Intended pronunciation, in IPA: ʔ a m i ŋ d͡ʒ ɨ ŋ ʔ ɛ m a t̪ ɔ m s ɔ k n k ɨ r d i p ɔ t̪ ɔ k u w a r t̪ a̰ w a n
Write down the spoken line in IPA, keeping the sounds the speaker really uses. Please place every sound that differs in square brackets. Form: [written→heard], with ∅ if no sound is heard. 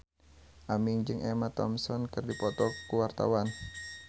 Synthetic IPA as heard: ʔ a m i ŋ d͡ʒ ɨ ŋ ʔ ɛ m a t̪ ɔ m s ɔ [k→∅] n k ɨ r d i p ɔ t̪ ɔ k u w a r t̪ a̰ w a n